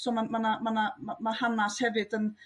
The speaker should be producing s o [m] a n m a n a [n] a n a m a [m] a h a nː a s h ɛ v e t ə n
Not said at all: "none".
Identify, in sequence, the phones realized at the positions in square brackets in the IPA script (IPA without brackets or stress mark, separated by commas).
m, m, m